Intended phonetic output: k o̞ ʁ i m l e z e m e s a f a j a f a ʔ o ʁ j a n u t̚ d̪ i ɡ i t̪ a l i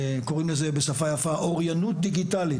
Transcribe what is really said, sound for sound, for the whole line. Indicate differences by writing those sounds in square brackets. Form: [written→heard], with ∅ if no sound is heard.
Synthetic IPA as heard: k o̞ ʁ i m l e z e [m→b] e s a f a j a f a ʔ o ʁ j a n u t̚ d̪ i ɡ i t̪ a l i